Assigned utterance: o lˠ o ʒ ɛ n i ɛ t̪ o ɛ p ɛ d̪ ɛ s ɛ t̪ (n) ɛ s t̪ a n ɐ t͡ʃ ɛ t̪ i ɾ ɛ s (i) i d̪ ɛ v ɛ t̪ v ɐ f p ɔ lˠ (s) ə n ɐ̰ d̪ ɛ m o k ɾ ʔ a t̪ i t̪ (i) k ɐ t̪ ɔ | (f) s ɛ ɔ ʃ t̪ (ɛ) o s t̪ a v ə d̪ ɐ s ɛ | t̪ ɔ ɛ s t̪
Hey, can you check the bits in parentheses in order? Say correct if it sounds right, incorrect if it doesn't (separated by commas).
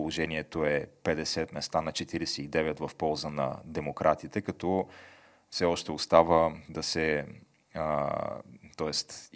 incorrect, incorrect, incorrect, incorrect, correct, correct